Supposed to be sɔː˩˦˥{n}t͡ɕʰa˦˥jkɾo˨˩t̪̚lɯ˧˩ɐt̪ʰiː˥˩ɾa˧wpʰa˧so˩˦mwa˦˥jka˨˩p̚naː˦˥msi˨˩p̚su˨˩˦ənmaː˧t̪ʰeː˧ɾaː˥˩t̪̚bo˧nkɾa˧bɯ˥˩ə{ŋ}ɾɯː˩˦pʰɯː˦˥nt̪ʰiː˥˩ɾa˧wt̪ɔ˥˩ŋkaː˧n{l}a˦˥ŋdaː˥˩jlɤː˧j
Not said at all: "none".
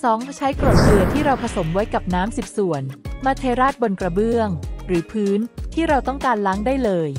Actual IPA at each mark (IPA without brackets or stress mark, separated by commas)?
ŋ, ŋ, l